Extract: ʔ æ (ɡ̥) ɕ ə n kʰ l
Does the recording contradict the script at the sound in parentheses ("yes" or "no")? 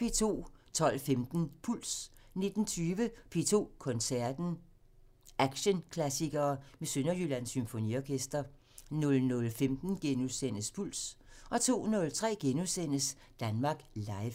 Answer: no